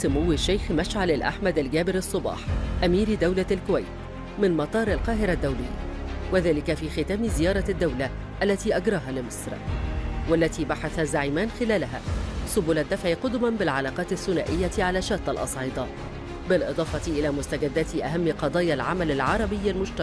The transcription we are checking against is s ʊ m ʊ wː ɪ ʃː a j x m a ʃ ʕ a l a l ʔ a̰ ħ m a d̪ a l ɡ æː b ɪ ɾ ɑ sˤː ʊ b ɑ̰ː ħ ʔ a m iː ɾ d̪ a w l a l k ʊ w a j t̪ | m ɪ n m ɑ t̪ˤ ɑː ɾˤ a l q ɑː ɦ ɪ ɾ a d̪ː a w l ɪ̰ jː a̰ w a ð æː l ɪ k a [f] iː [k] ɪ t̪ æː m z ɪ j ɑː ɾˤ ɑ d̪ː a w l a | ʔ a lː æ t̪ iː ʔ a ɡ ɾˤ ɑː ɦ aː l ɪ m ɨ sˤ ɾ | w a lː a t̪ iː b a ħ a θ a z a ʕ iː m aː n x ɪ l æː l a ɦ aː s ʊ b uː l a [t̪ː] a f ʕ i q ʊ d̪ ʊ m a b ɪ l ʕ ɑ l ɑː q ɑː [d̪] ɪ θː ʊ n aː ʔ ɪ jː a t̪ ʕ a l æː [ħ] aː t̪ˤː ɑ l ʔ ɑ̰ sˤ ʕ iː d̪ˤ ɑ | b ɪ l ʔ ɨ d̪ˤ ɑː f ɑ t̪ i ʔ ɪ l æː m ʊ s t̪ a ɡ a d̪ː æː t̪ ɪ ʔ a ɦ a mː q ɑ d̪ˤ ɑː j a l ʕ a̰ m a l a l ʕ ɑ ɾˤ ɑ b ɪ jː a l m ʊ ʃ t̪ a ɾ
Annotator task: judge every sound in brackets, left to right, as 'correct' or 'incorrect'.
correct, incorrect: x, incorrect: d̪ː, incorrect: t̪, incorrect: ʃ

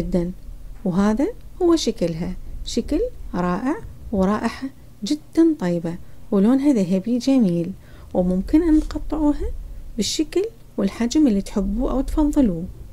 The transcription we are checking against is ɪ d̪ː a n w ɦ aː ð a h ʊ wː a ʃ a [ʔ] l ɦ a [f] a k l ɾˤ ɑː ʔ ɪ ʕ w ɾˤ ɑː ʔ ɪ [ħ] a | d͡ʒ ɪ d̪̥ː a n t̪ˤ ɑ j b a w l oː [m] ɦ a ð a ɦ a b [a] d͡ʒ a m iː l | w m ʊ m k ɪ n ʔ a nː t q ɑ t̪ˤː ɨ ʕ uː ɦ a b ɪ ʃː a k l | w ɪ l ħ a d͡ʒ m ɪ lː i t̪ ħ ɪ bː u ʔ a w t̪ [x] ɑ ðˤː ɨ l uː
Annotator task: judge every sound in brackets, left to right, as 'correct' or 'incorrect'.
incorrect: k, incorrect: ʃ, correct, incorrect: n, incorrect: i, incorrect: f

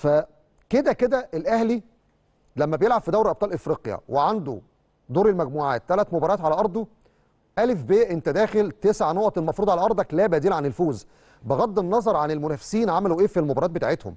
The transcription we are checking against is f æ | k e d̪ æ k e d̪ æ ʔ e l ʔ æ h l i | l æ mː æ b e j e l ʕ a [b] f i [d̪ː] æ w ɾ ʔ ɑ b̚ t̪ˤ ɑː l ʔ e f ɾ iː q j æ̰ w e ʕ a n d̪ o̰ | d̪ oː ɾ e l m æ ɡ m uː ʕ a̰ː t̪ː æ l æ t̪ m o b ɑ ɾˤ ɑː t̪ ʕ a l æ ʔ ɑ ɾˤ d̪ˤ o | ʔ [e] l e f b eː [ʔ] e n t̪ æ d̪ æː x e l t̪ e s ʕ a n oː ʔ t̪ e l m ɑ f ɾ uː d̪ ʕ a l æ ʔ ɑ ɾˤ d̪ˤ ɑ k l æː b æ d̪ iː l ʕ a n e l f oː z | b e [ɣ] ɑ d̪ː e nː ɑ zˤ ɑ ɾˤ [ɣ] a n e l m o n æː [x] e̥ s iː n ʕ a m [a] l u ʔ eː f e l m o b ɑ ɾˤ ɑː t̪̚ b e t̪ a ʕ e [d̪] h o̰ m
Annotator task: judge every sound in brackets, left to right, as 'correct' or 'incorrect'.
correct, incorrect: d̪, incorrect: æ, correct, correct, incorrect: ʕ, incorrect: f, incorrect: æ, incorrect: t̪

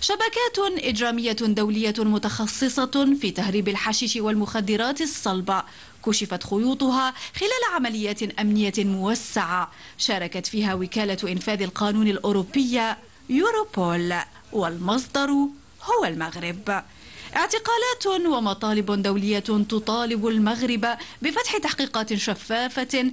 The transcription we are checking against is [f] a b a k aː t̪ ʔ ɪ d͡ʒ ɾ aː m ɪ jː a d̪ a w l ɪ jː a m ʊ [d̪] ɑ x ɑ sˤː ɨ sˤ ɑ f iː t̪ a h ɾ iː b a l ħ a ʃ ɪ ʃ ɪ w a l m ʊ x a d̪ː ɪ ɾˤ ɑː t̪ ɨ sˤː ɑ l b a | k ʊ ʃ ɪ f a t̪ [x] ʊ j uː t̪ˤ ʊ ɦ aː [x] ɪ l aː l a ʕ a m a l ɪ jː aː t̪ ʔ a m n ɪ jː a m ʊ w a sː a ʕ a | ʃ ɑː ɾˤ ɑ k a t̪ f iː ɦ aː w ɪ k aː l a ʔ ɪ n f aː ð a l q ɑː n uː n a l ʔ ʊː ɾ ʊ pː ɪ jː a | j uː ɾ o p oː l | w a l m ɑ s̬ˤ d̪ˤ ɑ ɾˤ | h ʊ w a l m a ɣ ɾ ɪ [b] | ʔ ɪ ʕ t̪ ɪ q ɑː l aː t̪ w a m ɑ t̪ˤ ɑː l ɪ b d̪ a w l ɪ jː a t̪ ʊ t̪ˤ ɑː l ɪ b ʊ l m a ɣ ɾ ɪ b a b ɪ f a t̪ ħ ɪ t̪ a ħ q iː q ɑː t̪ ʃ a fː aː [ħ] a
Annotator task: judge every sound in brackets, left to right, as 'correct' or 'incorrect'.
incorrect: ʃ, incorrect: t̪, correct, correct, correct, incorrect: f

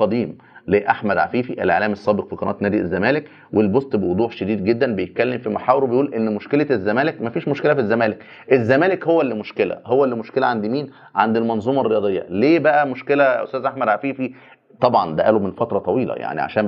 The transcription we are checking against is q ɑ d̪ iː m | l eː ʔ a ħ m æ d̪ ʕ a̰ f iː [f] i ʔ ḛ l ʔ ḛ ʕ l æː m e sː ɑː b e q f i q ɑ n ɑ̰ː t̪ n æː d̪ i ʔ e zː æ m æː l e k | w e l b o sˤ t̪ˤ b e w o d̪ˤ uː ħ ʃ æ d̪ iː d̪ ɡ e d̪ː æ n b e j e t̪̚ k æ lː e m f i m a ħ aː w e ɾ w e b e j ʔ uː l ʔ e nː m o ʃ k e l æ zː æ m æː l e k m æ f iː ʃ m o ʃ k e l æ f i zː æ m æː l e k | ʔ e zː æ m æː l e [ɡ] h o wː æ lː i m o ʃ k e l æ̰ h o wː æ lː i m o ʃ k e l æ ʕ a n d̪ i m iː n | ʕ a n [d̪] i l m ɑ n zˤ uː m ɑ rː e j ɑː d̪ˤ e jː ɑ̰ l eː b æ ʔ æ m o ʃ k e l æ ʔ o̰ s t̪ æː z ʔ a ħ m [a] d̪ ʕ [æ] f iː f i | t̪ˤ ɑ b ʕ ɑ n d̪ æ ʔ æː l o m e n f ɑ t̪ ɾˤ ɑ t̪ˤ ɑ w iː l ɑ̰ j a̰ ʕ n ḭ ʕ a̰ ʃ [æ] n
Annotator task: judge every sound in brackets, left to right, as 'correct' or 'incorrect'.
correct, incorrect: k, correct, incorrect: æ, incorrect: a, incorrect: æː

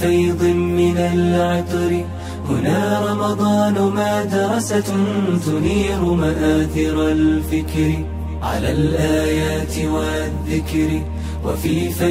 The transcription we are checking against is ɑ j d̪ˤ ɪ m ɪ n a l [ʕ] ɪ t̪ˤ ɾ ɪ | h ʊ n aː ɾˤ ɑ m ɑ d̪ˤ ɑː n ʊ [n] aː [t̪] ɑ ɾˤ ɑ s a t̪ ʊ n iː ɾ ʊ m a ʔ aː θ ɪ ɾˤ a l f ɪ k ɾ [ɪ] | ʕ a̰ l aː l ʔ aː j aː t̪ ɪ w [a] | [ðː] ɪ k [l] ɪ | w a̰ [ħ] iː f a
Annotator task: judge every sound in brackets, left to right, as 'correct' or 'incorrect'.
correct, incorrect: m, incorrect: d̪, correct, correct, correct, incorrect: ɾ, incorrect: f

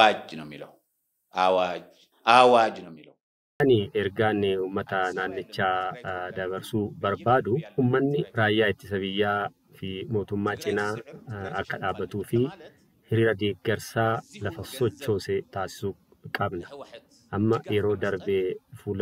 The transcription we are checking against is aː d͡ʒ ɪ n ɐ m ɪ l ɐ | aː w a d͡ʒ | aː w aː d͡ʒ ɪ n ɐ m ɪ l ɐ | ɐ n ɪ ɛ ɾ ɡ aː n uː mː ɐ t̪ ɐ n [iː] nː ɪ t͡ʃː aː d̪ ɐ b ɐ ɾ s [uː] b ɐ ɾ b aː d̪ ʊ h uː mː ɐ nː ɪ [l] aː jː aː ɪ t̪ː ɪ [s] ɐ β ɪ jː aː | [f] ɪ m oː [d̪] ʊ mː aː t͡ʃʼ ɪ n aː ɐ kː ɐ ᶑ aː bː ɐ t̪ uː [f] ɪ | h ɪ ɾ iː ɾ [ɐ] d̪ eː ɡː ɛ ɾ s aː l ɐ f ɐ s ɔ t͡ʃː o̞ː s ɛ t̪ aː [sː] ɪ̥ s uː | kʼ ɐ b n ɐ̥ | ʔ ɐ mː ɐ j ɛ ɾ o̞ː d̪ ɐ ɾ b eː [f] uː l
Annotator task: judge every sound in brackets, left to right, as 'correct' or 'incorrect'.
incorrect: aː, correct, incorrect: ɾ, correct, correct, incorrect: t̪, correct, correct, incorrect: s, correct

